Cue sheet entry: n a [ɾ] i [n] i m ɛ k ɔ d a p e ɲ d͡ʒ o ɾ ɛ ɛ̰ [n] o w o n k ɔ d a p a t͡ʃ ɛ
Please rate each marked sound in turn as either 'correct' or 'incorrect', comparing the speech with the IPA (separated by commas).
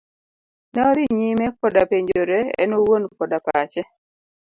correct, incorrect, correct